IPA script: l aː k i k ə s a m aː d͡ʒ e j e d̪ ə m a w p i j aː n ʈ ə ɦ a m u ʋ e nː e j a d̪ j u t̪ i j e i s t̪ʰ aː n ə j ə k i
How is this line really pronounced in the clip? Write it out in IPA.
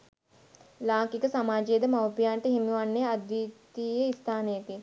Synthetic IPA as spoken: l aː k i k ə s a m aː d͡ʒ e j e d̪ ə m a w p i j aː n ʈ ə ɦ i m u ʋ a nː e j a d̪ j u t̪ i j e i s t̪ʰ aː n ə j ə k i